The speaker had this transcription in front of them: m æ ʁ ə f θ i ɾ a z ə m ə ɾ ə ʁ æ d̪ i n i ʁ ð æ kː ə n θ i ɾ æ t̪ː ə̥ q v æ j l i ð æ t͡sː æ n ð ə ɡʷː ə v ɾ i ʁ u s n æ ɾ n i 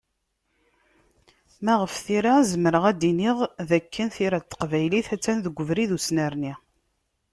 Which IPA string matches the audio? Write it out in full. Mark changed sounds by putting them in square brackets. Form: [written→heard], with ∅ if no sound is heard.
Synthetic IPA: m æ ʁ ə f θ i ɾ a z ə m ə ɾ ə ʁ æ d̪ i n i ʁ ð æ kː ə n θ i ɾ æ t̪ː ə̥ q v æ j l i [ð→θ] æ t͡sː æ n ð ə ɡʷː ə v ɾ i [ʁ→ð] u s n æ ɾ n i